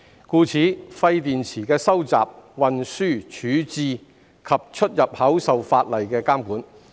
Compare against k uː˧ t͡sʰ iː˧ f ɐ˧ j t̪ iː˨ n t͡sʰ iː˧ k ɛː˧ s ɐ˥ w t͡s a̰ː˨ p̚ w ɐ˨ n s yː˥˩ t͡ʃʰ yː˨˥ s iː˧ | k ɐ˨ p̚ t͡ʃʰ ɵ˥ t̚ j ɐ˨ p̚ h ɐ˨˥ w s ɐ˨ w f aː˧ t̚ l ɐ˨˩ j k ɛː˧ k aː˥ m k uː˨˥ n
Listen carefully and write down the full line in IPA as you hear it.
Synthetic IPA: k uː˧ t͡sʰ iː˨˥ f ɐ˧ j t̪ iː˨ n t͡sʰ iː˨˩ k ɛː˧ s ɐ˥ w t͡s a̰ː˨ p̚ w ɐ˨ n s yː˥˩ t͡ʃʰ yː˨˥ t͡s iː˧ | kʰ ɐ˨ p̚ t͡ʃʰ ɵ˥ t̚ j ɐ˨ p̚ h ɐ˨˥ w s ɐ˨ w f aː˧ t̚ l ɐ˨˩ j k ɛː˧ k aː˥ m k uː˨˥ n